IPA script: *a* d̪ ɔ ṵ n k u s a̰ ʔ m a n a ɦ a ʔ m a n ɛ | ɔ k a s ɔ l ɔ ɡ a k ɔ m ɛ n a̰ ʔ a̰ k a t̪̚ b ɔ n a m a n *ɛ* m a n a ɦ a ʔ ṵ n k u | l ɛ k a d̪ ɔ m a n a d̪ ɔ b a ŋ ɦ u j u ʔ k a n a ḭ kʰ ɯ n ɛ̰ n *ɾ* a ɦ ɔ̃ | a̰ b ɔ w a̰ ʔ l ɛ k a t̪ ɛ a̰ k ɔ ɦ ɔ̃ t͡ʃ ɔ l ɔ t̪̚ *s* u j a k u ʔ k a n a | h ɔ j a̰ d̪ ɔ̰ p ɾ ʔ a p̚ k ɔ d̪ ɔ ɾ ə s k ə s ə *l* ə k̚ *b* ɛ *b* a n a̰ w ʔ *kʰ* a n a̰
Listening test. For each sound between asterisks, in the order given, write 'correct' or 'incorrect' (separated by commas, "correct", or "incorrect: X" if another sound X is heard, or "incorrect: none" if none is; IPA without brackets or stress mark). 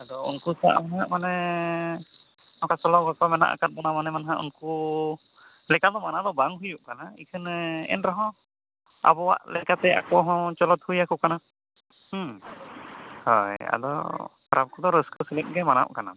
correct, correct, correct, incorrect: h, correct, incorrect: ɡ, incorrect: m, incorrect: k